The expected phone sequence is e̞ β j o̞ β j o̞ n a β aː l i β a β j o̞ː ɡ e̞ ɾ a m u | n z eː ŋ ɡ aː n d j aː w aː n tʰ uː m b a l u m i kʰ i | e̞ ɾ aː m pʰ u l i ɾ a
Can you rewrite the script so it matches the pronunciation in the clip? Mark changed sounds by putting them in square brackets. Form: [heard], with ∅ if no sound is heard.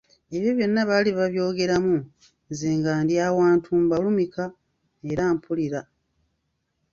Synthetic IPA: e̞ β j o̞ β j o̞ [nː] a β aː l i β a β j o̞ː ɡ e̞ ɾ a m u | n z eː ŋ ɡ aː n d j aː w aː n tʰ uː m b a l u m i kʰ [a] | e̞ ɾ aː m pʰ u l i ɾ a